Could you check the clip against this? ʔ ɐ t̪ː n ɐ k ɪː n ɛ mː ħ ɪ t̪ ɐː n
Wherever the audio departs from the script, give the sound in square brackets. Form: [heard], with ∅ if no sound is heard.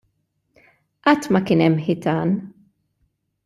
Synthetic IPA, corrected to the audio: ʔ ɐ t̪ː [m] ɐ k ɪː n ɛ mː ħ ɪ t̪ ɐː n